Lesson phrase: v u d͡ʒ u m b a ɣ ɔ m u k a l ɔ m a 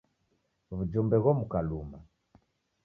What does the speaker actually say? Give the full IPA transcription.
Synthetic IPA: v u d͡ʒ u m b ɛ ɣ ɔ m u k a l u m a